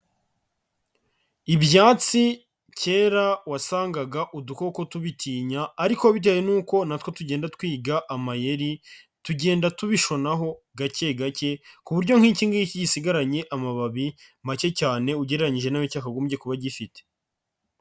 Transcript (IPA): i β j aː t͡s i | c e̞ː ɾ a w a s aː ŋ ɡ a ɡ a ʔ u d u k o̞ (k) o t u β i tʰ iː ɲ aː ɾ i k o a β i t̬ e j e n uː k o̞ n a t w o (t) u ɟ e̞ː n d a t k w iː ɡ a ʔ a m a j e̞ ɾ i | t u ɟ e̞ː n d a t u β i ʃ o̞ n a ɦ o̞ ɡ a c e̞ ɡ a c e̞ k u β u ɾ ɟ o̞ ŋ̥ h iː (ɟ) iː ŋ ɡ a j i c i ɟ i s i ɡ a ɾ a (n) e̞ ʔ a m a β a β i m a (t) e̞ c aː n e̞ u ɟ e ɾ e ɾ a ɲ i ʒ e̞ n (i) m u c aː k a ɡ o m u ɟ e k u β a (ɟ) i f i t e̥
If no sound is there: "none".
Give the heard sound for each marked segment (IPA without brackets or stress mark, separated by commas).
k, t, c, ɲ, c, a, ɟ